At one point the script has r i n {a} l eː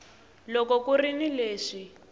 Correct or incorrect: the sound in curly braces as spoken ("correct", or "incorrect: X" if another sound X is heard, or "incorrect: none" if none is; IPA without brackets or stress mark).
incorrect: i